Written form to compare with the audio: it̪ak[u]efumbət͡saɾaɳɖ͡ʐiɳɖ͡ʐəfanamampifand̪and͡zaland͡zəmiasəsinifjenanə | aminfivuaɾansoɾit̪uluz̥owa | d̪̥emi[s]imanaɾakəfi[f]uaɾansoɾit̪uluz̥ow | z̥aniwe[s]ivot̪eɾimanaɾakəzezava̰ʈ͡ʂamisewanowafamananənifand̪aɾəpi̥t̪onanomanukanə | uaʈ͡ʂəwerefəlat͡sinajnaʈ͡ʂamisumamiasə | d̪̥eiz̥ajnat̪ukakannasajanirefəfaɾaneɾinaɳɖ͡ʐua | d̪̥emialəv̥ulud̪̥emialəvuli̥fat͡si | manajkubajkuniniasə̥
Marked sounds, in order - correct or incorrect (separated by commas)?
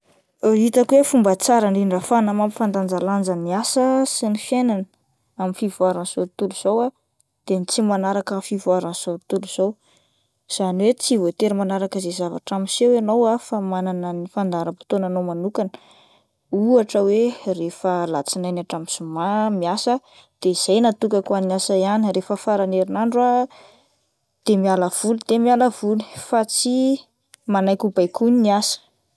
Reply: incorrect, incorrect, incorrect, incorrect